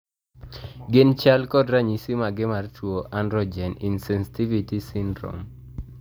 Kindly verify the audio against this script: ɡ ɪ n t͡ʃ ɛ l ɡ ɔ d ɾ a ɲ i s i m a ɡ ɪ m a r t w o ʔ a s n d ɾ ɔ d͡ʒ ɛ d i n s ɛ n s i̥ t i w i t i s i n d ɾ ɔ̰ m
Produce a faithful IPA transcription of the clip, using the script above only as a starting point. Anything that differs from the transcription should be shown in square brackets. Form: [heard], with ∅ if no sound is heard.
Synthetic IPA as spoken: ɡ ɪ n t͡ʃ [a] l [k] ɔ d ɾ a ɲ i s i m a ɡ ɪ m a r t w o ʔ a [∅] n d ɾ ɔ d͡ʒ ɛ [n] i n s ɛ n s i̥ t i [v] i t i s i n d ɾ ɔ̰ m